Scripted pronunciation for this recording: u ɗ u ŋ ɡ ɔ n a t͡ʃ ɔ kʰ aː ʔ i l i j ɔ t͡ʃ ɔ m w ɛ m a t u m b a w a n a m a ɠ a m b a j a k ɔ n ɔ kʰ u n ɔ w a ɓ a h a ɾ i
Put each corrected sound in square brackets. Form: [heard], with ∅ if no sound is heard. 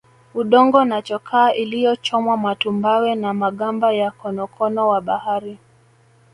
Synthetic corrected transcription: u ɗ [ɔ] ŋ ɡ ɔ n a t͡ʃ ɔ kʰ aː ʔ i l i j ɔ t͡ʃ ɔ m w [a] m a t u m b a w [ɛ] n a m a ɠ a m b a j a k ɔ n ɔ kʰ [ɔ] n ɔ w a ɓ a h a ɾ i